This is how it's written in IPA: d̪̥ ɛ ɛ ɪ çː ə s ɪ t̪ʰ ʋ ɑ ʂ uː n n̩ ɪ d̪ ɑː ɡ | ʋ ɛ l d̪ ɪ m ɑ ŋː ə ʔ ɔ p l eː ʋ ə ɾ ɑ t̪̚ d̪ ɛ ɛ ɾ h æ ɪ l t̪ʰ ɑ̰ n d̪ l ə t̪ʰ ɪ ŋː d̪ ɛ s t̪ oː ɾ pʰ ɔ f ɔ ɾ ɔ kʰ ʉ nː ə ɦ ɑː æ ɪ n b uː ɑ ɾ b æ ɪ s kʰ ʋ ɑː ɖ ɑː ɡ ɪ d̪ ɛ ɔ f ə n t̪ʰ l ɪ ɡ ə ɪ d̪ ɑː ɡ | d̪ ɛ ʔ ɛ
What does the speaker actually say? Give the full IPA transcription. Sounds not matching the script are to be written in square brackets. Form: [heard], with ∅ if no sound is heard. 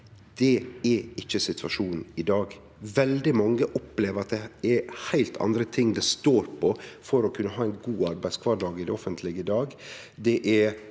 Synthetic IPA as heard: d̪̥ ɛ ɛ ɪ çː ə s ɪ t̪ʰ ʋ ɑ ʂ uː n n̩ ɪ d̪ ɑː ɡ | ʋ ɛ l d̪ ɪ m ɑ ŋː ə ʔ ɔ p l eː ʋ ə ɾ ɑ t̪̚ d̪ ɛ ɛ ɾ h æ ɪ l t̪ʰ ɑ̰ n d̪ [ɾ] ə t̪ʰ ɪ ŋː d̪ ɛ s t̪ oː ɾ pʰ ɔ f ɔ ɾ ɔ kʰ ʉ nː ə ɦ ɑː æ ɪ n [ɡ] uː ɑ ɾ b æ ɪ s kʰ ʋ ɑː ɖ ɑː ɡ ɪ d̪ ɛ ɔ f ə n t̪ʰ l ɪ ɡ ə ɪ d̪ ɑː ɡ | d̪ ɛ ʔ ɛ